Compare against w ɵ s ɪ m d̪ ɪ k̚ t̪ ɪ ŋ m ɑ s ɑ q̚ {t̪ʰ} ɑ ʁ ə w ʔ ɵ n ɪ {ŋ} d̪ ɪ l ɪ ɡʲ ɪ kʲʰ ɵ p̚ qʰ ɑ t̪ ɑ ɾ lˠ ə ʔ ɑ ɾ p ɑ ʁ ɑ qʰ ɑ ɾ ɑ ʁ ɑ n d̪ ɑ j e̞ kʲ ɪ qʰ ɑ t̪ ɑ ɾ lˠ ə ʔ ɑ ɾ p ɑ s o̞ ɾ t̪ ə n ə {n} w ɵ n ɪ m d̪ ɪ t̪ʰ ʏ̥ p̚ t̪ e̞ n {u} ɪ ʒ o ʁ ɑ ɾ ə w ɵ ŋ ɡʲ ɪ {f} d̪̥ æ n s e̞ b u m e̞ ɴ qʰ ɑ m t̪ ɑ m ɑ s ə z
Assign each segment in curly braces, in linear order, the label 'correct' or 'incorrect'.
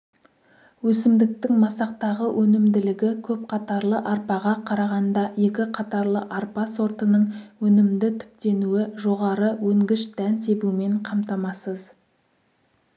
incorrect: t̪, incorrect: m, incorrect: ɴ, correct, incorrect: ʃ

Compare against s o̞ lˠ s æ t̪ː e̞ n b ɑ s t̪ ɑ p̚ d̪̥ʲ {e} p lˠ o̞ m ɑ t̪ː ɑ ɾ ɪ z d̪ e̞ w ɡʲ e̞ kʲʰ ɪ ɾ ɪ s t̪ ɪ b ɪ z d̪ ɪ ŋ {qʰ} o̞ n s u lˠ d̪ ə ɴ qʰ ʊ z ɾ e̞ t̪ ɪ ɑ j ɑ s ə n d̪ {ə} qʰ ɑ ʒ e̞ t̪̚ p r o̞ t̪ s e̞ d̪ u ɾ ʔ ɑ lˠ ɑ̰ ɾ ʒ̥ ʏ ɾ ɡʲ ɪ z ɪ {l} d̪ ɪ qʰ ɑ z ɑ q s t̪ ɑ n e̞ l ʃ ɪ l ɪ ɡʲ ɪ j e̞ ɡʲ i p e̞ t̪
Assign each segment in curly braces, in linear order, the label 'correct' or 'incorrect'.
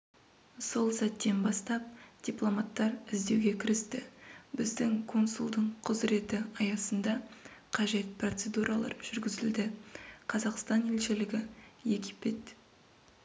incorrect: i, incorrect: kʰ, incorrect: ɑ, correct

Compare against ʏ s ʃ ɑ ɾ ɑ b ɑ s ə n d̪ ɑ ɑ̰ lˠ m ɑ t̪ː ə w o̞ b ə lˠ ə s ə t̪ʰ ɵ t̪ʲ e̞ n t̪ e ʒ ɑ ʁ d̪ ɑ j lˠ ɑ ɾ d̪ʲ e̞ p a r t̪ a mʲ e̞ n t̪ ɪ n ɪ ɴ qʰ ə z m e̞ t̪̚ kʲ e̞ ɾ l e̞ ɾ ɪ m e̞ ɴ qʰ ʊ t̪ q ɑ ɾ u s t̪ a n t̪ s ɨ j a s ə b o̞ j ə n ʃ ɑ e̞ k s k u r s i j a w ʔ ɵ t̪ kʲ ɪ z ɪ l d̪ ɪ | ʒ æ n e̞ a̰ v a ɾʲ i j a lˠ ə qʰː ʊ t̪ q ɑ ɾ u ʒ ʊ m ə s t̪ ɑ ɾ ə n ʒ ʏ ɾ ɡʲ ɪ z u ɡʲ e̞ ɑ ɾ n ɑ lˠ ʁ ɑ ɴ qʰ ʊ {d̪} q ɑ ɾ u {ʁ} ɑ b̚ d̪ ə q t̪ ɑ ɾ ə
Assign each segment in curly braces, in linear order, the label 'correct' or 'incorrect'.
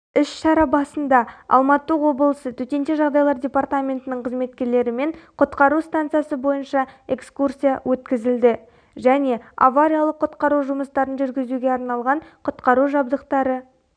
incorrect: t̪, incorrect: ʒ

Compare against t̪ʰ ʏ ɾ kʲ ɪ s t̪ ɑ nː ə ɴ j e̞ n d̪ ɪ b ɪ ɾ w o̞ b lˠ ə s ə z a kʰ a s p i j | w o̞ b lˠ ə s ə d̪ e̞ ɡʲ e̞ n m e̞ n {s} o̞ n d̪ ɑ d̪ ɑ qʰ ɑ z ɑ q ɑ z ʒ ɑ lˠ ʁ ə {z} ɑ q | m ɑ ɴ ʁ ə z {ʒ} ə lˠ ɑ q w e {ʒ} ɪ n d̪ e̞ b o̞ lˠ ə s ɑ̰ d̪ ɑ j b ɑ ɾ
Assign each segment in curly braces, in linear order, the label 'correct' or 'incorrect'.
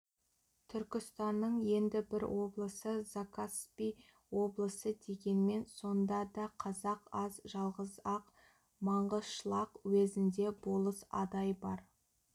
correct, correct, incorrect: ʃ, incorrect: z

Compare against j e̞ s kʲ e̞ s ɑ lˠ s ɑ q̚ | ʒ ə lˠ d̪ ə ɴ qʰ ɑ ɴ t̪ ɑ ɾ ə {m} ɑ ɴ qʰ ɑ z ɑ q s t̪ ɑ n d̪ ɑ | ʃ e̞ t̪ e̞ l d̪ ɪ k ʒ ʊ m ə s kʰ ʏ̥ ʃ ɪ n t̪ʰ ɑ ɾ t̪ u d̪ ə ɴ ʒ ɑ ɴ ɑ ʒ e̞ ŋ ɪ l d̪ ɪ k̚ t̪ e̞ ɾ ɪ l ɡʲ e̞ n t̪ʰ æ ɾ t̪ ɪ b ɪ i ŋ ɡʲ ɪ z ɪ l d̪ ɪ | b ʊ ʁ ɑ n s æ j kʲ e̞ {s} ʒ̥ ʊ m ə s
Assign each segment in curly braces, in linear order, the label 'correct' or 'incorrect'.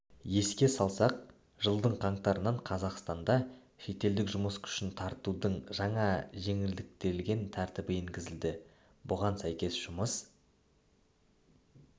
incorrect: n, correct

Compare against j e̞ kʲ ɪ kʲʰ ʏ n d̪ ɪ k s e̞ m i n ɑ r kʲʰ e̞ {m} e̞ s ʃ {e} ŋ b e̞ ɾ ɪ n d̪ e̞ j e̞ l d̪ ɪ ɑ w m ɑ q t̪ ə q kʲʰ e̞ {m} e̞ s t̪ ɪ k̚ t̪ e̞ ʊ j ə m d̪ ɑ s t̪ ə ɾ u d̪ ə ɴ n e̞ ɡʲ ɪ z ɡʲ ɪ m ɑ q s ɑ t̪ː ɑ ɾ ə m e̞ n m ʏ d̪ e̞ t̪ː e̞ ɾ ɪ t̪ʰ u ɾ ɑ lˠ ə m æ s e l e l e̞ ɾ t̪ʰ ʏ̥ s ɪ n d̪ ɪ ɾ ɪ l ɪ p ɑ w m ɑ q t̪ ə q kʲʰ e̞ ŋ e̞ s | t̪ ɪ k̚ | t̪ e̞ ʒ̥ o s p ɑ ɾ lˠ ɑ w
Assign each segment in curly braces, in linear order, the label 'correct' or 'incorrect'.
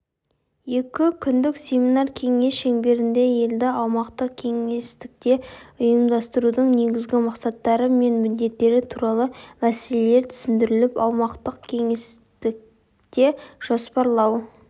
incorrect: ŋ, correct, incorrect: ŋ

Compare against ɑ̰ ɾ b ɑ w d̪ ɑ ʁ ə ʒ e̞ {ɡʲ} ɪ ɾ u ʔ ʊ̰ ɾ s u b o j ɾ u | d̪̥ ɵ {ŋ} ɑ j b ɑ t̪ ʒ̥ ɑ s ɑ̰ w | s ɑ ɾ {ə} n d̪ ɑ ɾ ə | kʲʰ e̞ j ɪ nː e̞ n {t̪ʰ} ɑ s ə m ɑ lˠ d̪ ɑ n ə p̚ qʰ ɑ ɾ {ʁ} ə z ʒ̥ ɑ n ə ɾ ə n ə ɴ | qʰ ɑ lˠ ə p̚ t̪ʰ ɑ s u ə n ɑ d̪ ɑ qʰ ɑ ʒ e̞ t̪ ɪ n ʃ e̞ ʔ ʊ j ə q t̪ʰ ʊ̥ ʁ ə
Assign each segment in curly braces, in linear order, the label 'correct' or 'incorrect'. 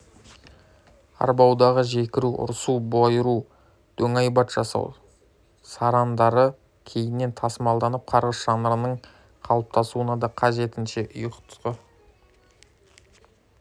incorrect: kʲ, correct, incorrect: ɑ, correct, correct

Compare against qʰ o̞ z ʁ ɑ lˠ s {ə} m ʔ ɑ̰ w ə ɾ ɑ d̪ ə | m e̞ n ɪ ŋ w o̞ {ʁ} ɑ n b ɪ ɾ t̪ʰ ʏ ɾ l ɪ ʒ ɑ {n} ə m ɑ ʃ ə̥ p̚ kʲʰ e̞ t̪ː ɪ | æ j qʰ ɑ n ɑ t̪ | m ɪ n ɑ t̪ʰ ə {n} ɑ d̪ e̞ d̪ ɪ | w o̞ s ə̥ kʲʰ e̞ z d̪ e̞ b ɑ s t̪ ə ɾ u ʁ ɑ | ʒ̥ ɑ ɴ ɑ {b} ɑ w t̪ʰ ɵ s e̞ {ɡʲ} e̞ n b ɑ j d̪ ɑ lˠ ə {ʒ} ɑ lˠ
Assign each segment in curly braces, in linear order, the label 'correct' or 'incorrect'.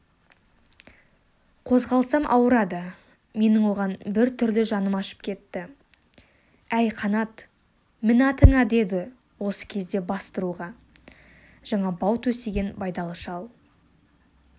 incorrect: ɑ, correct, correct, incorrect: ŋ, correct, correct, incorrect: ʃ

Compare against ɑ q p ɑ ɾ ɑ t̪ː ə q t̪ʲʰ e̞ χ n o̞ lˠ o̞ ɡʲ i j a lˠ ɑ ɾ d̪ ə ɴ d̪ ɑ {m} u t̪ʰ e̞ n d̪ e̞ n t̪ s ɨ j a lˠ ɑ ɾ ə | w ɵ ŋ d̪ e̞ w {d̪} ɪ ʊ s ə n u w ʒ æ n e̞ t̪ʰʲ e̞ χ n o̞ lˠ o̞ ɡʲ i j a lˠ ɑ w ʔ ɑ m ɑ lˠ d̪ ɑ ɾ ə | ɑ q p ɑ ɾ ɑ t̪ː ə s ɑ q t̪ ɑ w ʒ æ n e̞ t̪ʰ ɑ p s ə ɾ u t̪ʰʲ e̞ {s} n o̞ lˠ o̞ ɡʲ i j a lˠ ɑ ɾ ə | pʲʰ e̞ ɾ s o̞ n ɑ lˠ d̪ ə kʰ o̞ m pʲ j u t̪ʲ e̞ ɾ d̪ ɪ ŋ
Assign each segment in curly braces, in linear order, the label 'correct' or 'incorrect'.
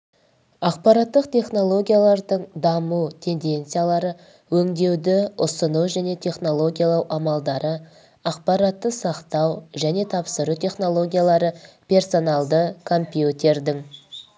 correct, correct, incorrect: χ

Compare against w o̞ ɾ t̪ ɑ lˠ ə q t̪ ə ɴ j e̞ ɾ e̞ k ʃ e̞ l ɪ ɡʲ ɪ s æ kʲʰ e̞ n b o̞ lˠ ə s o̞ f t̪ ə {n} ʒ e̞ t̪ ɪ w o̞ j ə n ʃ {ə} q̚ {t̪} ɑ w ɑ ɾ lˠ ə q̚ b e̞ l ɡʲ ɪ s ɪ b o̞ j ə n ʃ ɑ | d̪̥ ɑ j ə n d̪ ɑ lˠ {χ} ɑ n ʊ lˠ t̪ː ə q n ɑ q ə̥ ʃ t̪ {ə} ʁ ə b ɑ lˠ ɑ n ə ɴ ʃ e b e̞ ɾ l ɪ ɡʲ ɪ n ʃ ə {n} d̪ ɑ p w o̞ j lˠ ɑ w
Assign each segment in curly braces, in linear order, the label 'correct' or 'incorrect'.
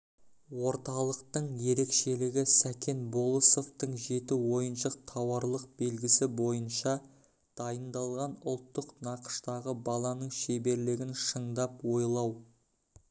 incorrect: ɴ, correct, incorrect: t̪ʰ, incorrect: ʁ, incorrect: ɑ, incorrect: ɴ

